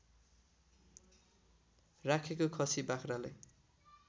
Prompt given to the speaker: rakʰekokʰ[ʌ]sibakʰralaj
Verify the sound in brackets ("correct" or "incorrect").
correct